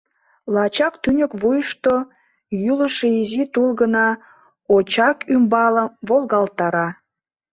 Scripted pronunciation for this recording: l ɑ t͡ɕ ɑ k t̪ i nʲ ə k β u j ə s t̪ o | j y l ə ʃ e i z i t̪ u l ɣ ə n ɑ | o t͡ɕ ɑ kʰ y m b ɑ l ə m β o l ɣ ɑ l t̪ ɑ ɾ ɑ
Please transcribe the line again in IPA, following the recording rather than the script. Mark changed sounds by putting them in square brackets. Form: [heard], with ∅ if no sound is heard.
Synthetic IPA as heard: l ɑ t͡ɕ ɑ k t̪ [y] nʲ ə k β u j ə [ʃ] t̪ o | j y l ə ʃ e i z i t̪ u l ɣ ə n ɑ | o t͡ɕ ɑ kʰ y m b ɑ l ə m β o l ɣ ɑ l t̪ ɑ ɾ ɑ

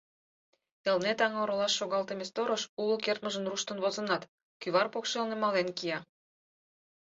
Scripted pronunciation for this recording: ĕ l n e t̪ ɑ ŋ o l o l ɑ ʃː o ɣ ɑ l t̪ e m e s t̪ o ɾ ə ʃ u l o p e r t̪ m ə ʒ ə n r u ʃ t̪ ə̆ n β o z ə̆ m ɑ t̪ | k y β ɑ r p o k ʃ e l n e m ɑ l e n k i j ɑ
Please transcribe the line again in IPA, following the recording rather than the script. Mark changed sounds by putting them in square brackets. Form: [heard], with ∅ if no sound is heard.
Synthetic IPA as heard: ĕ l n e t̪ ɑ ŋ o [ɾ] o l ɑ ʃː o ɣ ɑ l t̪ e m e s t̪ o ɾ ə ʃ u l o [k] e r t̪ m ə ʒ ə n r u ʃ t̪ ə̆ n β o z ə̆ [n] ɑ t̪ | k y β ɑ r p o k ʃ e l n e m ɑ l e n k i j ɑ

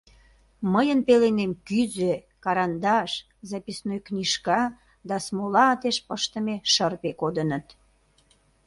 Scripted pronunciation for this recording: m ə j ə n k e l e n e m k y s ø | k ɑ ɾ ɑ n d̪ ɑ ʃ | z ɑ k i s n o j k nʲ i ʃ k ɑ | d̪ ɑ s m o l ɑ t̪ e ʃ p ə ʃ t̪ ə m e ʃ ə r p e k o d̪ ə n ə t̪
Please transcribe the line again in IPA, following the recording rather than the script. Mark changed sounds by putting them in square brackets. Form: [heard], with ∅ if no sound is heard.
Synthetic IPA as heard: m ə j ə n [p] e l e n e m k y [z] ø | k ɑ ɾ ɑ n d̪ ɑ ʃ | z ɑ [p] i s n o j k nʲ i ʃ k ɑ | d̪ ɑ s m o l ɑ t̪ e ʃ p ə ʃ t̪ ə m e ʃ ə r p e k o d̪ ə n ə t̪

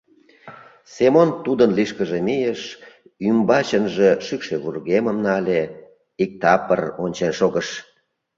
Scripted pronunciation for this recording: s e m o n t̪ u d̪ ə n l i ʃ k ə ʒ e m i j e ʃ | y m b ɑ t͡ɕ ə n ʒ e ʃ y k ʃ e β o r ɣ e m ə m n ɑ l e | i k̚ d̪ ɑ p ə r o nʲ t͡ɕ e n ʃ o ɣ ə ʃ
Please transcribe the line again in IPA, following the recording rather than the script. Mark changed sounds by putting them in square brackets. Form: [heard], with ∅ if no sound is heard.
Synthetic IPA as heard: s e m o n t̪ u d̪ ə n l i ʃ k ə ʒ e m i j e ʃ | y m b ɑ t͡ɕ ə n ʒ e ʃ y k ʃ e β [u] r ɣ e m ə m n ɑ l e | i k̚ [t̪] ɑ p ə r o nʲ t͡ɕ e n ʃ o ɣ ə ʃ

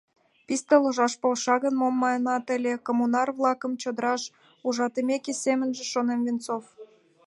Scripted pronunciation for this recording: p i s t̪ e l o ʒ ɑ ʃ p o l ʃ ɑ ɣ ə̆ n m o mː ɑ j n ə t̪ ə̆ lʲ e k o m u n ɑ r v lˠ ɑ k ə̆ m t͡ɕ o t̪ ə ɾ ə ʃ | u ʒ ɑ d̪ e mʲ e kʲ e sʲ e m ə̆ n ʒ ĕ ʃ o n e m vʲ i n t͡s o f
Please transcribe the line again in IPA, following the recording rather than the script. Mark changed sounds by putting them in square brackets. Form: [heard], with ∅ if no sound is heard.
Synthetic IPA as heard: p i s t̪ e l o ʒ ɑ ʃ p o l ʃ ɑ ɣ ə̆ n m o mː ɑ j n [ɑ] t̪ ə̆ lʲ e k o m u n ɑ r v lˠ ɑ k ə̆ m t͡ɕ o [d̪] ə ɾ [ɑ] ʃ | u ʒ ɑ [t̪] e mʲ e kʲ e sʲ e m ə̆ n ʒ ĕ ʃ o n e m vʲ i n t͡s o f

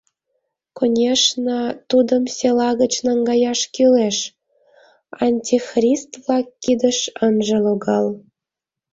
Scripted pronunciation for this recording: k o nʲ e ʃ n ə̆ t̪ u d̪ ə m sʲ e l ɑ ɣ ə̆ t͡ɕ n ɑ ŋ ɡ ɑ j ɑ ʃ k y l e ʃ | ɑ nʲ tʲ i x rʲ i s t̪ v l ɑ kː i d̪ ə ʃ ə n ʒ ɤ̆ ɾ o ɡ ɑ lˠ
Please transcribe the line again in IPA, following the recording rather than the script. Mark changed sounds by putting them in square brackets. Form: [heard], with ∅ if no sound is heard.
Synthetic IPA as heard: k o nʲ e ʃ n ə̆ t̪ u d̪ ə m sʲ e l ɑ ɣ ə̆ t͡ɕ n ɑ ŋ ɡ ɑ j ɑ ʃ k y l e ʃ | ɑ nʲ tʲ i x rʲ i s t̪ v l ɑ kː i d̪ ə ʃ ə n ʒ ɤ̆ [l] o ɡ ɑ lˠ

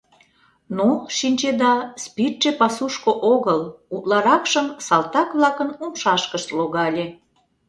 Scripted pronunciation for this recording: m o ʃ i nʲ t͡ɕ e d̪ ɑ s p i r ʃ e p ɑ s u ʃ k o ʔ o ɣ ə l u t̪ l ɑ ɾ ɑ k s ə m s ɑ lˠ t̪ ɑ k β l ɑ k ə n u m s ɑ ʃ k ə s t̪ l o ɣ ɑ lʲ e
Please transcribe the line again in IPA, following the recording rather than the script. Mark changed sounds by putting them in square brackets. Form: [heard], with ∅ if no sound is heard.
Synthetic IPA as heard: [n] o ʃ i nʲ t͡ɕ e d̪ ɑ s p i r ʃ e p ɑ s u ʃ k o ʔ o ɣ ə l u t̪ l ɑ ɾ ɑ k [ʃ] ə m s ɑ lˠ t̪ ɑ k β l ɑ k ə n u m [ʃ] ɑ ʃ k ə [ʃ] t̪ l o ɣ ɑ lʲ e

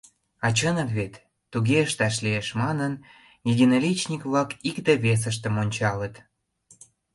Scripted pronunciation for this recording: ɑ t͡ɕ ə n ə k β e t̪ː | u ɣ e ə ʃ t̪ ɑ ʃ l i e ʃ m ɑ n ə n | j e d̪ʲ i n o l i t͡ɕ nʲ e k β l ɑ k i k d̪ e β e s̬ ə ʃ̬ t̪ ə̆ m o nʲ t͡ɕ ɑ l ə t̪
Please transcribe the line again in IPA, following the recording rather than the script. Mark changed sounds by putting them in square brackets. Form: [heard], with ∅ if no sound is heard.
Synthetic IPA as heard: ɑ t͡ɕ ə n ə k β e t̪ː | u ɣ e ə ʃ t̪ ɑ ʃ l i e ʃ m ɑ n ə n | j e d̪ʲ i n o l i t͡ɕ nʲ [i] k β l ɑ k i k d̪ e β e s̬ ə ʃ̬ t̪ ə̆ m o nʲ t͡ɕ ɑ l ə t̪

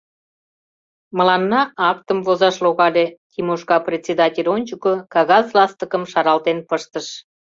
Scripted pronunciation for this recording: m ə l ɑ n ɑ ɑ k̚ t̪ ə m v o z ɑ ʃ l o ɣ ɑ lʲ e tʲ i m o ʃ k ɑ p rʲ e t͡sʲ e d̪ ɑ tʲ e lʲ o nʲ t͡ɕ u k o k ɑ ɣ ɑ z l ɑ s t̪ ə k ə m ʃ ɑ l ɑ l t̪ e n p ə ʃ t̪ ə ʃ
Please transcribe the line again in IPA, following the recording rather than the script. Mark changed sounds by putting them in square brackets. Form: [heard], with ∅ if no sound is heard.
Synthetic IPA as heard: m ə l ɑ [nː] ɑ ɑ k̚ t̪ ə m v o z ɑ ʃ l o ɣ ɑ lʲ e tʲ i m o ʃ k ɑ p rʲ e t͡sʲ e d̪ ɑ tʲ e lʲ o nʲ t͡ɕ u k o k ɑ ɣ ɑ z l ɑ s t̪ ə k ə m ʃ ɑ [ɾ] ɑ l t̪ e n p ə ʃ t̪ ə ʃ

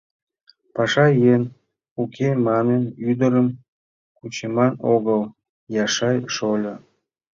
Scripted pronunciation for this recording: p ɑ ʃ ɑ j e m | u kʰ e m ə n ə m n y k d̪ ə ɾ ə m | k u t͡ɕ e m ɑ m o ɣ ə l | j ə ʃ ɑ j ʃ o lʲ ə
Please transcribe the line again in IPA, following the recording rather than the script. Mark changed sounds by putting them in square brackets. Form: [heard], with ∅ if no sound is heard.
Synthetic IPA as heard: p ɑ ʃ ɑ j e [n] | u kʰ e m [ɑ] n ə [∅] n y [∅] d̪ ə ɾ ə m | k u t͡ɕ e m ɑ [n] o ɣ ə l | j [ɑ] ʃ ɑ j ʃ o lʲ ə

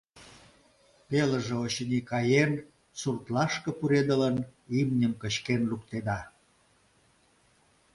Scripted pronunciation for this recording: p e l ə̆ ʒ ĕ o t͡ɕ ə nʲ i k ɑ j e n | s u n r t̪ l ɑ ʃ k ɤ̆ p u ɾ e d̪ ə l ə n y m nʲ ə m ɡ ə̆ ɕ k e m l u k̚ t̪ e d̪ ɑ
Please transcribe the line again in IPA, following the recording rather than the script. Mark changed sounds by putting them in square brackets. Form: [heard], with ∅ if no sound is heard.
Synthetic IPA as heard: p e l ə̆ ʒ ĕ o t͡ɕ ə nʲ i k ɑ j e n | s u [∅] r t̪ l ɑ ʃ k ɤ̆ p u ɾ e d̪ ə l ə n [i] m nʲ ə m [k] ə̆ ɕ k e [n] l u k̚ t̪ e d̪ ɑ

